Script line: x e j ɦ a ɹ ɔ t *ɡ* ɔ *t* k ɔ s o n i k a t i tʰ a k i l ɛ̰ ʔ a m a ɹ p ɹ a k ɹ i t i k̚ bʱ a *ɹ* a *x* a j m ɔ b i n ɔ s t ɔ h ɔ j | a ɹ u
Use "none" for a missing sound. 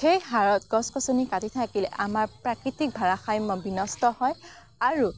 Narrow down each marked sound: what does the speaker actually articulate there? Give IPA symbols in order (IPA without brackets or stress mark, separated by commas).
ɡ, s, ɹ, x